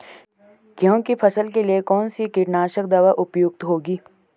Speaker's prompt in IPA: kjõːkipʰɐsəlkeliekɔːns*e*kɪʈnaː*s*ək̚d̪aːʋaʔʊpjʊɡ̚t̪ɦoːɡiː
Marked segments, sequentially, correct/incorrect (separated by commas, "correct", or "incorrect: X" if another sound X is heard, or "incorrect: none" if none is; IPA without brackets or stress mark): incorrect: i, incorrect: ʃ